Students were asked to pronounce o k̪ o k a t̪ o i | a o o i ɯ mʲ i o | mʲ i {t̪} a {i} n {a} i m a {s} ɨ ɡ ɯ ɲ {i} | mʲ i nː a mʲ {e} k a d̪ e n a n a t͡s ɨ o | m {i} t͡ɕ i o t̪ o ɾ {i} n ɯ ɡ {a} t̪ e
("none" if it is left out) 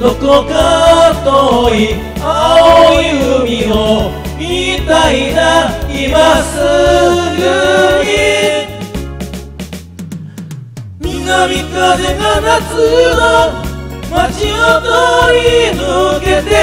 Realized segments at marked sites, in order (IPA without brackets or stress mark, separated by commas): t̪, i, a, s, i, i, a, i, e